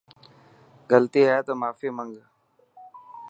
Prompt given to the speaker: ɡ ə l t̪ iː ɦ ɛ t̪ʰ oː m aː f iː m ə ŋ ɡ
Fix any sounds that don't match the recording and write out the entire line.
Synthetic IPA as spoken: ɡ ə l t̪ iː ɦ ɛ t̪ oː m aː f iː m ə ŋ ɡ

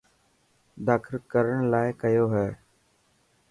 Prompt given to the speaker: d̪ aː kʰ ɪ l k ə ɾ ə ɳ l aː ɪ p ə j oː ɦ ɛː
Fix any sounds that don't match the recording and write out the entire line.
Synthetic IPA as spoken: d̪ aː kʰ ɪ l k ə ɾ ə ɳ l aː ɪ k ə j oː ɦ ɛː

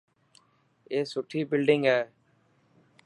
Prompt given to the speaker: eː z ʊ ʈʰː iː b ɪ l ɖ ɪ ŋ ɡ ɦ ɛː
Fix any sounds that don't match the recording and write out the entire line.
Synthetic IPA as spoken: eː s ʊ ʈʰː iː b ɪ l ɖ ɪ ŋ ɡ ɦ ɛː

